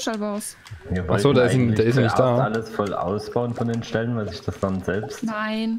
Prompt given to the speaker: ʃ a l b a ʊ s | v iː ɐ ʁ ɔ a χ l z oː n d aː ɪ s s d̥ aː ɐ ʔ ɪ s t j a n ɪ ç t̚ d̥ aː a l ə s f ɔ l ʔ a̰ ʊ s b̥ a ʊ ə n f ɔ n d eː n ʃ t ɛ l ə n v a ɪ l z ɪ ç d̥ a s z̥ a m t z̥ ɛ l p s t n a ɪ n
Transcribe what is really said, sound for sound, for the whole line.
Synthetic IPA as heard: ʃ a l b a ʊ s | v iː ɐ v ɔ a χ l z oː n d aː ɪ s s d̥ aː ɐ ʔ ɪ s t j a n ɪ ç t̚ d̥ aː a l ə s f ɔ l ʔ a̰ ʊ s b̥ a ʊ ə n f ɔ n d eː n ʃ t ɛ l ə n v a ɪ l z ɪ ç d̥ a s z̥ a m t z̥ ɛ l p s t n a ɪ n